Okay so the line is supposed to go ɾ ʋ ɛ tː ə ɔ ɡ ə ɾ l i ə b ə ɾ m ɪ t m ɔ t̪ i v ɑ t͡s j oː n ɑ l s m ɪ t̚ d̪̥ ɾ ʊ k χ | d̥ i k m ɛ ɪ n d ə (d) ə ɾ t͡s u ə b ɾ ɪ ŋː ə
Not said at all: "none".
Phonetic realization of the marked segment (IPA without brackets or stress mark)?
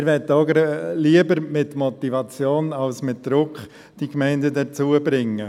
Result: d